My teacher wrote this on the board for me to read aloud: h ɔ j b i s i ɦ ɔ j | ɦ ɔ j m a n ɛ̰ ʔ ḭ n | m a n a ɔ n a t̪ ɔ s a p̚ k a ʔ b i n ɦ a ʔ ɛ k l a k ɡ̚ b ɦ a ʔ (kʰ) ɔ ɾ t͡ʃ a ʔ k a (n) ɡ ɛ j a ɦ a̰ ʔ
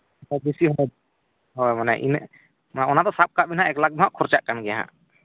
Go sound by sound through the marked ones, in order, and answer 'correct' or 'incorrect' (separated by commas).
correct, correct